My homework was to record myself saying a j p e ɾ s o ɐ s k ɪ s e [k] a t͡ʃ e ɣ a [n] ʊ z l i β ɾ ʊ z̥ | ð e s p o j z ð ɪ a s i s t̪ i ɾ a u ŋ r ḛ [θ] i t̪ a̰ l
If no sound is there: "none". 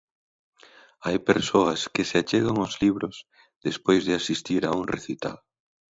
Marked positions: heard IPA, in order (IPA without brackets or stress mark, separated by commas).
none, ŋ, θ